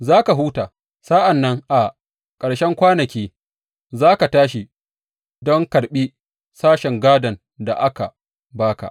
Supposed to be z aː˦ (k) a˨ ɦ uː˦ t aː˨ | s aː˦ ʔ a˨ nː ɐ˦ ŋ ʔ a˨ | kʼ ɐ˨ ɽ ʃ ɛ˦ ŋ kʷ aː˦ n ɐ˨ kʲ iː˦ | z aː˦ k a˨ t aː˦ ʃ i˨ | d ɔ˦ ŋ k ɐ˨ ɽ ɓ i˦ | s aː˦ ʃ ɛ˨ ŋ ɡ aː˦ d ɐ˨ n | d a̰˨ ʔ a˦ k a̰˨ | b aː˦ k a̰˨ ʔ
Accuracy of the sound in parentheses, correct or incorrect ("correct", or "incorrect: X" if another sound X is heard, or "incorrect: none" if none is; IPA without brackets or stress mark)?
correct